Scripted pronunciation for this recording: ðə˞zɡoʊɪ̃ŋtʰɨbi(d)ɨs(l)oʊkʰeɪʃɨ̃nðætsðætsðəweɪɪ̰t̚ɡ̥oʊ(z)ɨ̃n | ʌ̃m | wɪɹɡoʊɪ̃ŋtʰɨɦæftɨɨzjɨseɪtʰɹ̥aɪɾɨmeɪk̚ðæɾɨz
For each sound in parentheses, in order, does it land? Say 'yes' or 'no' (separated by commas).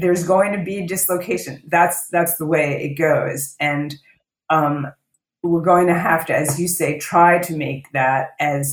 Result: yes, yes, yes